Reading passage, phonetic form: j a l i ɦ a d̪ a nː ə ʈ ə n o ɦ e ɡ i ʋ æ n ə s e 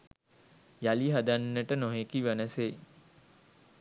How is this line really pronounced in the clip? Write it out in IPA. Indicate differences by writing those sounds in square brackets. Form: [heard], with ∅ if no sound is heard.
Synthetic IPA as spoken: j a l i ɦ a d̪ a nː ə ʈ ə n o ɦ e [k] i ʋ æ n ə s e